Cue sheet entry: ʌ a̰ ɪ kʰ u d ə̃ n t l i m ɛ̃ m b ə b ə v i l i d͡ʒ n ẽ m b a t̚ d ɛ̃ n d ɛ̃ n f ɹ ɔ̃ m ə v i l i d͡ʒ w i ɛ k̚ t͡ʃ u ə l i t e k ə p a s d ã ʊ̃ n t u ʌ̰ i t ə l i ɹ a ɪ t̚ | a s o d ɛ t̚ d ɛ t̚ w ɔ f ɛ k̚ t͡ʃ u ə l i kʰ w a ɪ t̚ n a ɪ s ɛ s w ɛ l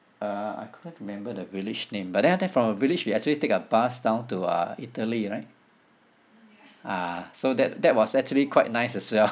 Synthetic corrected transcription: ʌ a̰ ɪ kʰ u d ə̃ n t ɹ i m ɛ̃ m b ə d ə v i l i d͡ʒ n ẽ m b a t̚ d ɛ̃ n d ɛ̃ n f ɹ ɔ̃ m ə v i l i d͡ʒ w i ɛ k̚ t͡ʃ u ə l i t e k ə b a s d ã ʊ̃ n t u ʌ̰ i t ə l i ɹ a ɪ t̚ | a s o d ɛ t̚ d ɛ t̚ w ɔ s ɛ k̚ t͡ʃ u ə l i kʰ w a ɪ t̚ n a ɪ s ɛ s w ɛ l